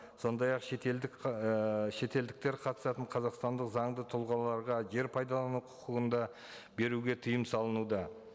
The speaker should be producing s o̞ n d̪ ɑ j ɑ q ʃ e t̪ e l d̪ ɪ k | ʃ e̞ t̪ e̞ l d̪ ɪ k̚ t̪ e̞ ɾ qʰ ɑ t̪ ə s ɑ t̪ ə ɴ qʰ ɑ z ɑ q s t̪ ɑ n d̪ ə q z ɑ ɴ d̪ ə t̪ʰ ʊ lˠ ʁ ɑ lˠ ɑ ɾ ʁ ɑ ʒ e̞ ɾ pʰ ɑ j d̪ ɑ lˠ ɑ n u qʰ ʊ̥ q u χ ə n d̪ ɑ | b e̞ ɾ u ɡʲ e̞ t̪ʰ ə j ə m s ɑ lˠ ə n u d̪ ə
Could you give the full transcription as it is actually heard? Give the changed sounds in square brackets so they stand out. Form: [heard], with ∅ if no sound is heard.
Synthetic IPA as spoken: s o̞ n d̪ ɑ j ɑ q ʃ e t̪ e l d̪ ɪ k | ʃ e̞ t̪ e̞ l d̪ ɪ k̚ t̪ e̞ ɾ qʰ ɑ t̪ ə s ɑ t̪ ə ɴ qʰ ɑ z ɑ q s t̪ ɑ n d̪ ə q z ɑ ɴ d̪ ə t̪ʰ ʊ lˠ ʁ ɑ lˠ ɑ ɾ ʁ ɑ ʒ e̞ ɾ pʰ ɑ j d̪ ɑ lˠ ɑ n u qʰ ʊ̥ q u [ʁ] ə n d̪ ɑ | b e̞ ɾ u ɡʲ e̞ t̪ʰ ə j ə m s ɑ lˠ ə n u d̪ [ɑ]